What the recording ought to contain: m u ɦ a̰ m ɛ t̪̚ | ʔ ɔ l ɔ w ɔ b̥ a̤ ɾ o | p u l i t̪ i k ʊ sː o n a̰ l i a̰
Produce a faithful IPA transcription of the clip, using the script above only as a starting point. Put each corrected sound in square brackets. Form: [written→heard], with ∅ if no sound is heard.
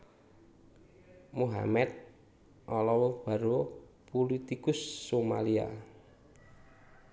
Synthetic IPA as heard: m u ɦ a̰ m ɛ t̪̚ | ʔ ɔ l ɔ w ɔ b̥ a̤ ɾ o | p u l i t̪ i k ʊ sː o [n→m] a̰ l i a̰